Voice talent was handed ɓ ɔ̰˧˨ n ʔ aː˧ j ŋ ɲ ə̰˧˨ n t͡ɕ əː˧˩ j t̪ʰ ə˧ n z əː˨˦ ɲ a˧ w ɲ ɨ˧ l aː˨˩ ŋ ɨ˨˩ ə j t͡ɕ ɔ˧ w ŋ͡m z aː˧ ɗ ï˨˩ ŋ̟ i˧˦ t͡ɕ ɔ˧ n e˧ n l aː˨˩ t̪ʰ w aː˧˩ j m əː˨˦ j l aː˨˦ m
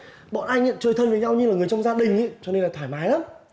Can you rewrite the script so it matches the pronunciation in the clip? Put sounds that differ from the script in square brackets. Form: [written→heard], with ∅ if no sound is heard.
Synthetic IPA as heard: ɓ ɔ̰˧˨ n ʔ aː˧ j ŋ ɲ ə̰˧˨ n t͡ɕ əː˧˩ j t̪ʰ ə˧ n [z→v] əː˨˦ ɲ a˧ w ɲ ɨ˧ l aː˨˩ ŋ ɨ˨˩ ə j t͡ɕ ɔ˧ w ŋ͡m z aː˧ ɗ ï˨˩ ŋ̟ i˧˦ t͡ɕ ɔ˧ n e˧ n l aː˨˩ t̪ʰ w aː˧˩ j m [əː˨˦→aː˨˦] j l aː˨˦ m